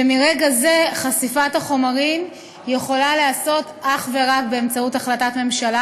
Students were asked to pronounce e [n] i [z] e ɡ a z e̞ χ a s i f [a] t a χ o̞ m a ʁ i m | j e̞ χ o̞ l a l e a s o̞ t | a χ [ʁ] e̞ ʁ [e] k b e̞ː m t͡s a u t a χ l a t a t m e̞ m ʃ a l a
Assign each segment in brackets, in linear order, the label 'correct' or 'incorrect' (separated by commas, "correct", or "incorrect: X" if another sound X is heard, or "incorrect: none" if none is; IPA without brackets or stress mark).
incorrect: m, incorrect: ʁ, correct, incorrect: v, incorrect: a